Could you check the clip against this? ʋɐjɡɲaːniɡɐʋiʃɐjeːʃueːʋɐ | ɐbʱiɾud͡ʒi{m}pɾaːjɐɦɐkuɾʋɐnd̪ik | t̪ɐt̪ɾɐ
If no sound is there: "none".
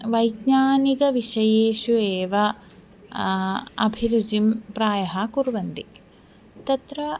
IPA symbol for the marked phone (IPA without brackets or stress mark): m